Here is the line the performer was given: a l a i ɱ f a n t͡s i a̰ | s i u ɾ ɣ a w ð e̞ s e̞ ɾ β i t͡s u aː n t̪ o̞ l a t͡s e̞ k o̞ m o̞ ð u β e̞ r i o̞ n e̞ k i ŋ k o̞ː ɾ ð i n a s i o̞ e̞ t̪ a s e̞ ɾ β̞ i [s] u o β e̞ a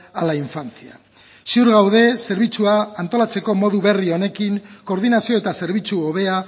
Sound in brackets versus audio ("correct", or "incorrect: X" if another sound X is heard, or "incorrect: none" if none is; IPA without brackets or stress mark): incorrect: t͡s